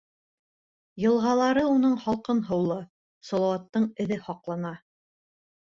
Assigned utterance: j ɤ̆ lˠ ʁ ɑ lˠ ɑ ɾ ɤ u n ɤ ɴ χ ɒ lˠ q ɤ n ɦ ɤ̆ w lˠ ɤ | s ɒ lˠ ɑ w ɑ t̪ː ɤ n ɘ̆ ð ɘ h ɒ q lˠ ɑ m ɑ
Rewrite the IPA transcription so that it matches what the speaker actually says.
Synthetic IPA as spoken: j ɤ̆ lˠ ʁ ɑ lˠ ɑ ɾ ɤ u n ɤ ɴ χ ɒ lˠ q ɤ n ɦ ɤ̆ w lˠ ɤ | s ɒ lˠ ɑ w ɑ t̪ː ɤ ɴ ɘ̆ ð ɘ h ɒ q lˠ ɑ n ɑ